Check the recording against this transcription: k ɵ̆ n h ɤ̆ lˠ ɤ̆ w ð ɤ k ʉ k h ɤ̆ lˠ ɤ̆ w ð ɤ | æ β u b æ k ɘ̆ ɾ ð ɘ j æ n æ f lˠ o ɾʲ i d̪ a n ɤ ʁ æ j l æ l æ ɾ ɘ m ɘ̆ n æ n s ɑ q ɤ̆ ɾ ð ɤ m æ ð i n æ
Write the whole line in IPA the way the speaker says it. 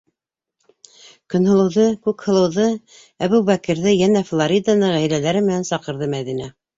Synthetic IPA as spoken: k ɵ̆ n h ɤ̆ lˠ ɤ̆ w ð ɤ k ʉ k h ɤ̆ lˠ ɤ̆ w ð ɤ | æ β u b æ k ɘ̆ ɾ ð ɘ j æ n æ f lˠ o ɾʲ i d̪ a n ɤ ʁ æ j l æ l æ ɾ ɘ m ɘ̆ n æ n s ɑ q ɤ̆ ɾ ð ɤ m æ ð i n æ